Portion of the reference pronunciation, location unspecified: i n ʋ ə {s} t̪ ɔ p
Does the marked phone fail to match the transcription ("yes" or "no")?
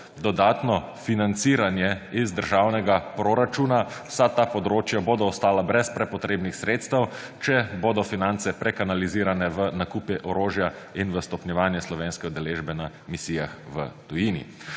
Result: no